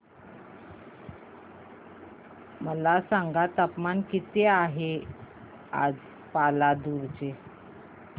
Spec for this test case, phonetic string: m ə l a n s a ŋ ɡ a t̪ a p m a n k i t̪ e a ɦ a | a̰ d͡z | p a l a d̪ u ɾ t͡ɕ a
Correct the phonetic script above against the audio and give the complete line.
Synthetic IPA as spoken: m ə l a s a ŋ ɡ a t̪ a p m a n k i t̪ e a ɦ e | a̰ d͡z | p a l a d̪ u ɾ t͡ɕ e